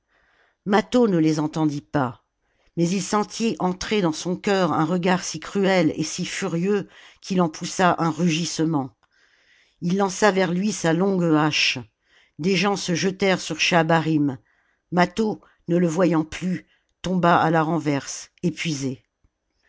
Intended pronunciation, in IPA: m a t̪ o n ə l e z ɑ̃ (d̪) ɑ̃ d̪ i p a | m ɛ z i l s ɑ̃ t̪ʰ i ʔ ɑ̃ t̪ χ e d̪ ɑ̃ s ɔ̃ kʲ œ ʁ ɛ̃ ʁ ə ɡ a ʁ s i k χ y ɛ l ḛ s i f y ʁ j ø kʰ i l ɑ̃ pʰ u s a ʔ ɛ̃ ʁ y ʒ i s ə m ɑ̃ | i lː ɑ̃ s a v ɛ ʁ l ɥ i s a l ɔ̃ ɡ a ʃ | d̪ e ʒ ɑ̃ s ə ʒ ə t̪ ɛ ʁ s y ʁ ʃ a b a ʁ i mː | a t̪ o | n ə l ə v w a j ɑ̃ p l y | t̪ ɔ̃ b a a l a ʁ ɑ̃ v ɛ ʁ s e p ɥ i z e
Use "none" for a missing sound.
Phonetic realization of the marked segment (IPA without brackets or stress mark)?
t̪